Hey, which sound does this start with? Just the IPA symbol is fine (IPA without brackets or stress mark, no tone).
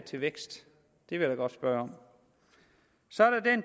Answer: t͡sʰ